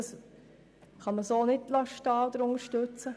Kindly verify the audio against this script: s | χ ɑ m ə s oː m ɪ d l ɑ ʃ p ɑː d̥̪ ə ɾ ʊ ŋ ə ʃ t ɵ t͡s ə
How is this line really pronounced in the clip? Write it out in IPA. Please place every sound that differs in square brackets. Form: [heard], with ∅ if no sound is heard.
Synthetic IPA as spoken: s | χ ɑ m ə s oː [n] ɪ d l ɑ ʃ [t] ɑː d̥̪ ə ɾ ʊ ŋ ə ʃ t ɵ t͡s ə